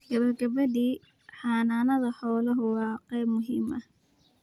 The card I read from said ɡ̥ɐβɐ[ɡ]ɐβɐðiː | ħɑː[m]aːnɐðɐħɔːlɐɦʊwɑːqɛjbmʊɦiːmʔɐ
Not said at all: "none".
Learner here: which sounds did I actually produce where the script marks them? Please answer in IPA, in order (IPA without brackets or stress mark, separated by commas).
ɡ, n